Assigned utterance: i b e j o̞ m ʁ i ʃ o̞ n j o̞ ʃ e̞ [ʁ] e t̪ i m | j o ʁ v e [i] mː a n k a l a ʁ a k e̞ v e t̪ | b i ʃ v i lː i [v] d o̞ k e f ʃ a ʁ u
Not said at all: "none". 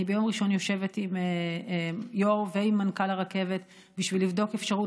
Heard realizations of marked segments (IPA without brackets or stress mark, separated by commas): v, i, v